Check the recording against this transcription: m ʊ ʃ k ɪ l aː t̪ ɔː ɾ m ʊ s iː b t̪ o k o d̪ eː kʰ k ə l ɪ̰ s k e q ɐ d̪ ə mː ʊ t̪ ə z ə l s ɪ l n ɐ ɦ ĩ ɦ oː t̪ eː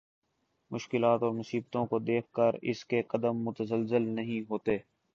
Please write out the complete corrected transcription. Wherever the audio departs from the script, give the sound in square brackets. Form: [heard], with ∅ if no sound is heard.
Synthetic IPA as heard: m ʊ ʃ k ɪ l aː t̪ ɔː ɾ m ʊ s iː b t̪ [õ] k o d̪ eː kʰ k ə [ɾ] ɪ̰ s k e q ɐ d̪ ə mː ʊ t̪ ə z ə l [z] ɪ l n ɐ ɦ ĩ ɦ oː t̪ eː

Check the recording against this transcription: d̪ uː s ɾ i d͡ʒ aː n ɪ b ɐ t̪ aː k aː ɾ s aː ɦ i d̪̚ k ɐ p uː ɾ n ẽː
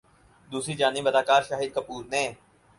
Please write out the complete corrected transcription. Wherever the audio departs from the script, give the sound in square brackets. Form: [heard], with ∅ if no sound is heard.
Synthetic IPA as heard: d̪ uː s ɾ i d͡ʒ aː n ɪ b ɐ [d̪] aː k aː ɾ [ʃ] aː ɦ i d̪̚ k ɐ p uː ɾ n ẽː

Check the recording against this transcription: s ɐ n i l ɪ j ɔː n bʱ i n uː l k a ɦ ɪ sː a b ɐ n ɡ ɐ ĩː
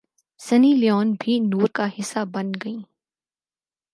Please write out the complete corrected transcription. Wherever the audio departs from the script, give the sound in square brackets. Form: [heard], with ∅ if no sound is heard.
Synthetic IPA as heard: s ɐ n i l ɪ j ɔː n bʱ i n uː [ɾ] k a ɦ ɪ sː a b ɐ n ɡ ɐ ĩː

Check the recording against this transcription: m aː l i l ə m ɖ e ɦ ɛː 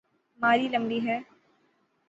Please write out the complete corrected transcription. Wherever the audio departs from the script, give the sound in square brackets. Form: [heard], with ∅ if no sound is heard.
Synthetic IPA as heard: m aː [ɾ] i l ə m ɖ [i] ɦ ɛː

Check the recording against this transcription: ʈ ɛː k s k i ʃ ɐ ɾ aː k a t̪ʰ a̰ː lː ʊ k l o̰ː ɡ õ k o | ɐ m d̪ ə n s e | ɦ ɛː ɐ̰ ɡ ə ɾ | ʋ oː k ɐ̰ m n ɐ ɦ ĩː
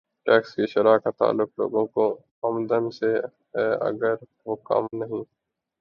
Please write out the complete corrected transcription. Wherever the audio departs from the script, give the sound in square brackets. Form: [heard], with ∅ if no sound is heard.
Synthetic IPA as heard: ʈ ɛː k s k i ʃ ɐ ɾ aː k a [t̪] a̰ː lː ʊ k l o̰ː ɡ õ k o | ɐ m d̪ ə n s e | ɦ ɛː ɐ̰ ɡ ə ɾ | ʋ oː k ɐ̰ m n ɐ ɦ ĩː

